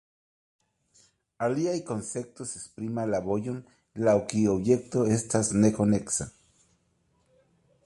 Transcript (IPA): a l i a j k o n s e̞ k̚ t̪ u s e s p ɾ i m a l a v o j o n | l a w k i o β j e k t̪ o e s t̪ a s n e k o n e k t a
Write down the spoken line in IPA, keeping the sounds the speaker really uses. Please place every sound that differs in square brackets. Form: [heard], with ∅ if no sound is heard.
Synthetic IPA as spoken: a l i a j k o n s e̞ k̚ t̪ [o] s e s p ɾ i m a l a [β] o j o n | l a w k i o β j e k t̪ o e s t̪ a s n e k o n e k [s] a